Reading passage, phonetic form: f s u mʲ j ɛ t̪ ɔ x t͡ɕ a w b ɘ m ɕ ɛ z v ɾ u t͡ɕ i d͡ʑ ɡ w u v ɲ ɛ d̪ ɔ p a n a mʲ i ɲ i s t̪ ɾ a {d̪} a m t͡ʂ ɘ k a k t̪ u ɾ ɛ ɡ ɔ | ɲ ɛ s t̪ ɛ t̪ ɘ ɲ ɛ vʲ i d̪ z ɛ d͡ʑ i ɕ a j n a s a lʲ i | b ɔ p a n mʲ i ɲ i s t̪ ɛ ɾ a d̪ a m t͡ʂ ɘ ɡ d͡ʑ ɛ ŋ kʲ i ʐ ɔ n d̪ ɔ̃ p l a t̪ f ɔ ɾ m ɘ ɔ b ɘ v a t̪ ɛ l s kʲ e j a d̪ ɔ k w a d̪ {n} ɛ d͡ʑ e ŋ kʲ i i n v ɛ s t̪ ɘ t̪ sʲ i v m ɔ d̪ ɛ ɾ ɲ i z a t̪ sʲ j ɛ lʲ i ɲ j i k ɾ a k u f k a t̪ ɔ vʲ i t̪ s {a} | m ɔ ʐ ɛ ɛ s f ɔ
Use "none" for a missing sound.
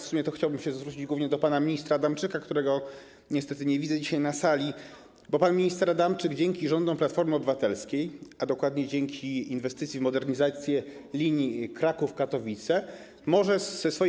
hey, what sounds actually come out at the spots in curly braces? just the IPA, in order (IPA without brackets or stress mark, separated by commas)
d̪, ɲ, ɛ